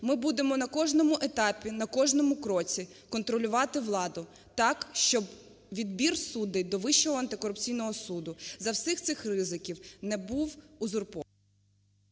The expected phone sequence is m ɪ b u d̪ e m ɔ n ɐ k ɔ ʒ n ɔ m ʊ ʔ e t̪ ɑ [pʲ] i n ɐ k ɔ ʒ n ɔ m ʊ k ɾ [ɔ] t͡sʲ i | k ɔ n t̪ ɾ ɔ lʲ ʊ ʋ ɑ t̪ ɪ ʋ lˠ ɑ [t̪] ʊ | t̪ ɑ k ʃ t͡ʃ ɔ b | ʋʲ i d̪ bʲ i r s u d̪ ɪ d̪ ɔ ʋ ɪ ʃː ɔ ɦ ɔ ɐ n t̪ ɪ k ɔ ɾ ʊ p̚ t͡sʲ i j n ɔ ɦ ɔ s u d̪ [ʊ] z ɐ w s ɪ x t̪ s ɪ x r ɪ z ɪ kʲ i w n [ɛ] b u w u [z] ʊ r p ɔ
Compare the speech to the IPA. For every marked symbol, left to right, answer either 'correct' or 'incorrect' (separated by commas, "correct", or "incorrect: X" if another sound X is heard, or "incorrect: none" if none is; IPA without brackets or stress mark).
correct, correct, incorrect: d̪, correct, correct, correct